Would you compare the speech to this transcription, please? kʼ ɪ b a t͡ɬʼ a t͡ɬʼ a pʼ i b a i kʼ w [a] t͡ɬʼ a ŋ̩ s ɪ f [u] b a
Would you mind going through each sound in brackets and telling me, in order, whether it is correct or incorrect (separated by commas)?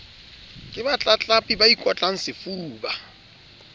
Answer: correct, incorrect